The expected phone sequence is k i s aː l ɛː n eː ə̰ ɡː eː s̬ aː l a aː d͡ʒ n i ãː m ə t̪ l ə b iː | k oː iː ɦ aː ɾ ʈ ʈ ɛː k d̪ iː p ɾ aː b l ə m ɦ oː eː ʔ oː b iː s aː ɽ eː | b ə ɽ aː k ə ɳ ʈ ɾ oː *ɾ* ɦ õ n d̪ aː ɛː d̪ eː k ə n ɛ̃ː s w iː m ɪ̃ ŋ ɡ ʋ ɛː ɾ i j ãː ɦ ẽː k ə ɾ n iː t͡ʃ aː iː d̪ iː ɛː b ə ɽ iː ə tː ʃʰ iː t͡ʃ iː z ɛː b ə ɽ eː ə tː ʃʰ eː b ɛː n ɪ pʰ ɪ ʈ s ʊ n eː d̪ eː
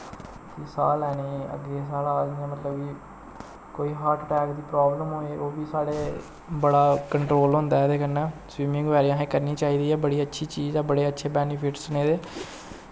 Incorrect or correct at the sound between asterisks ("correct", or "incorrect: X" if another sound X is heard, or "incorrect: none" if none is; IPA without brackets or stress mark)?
incorrect: l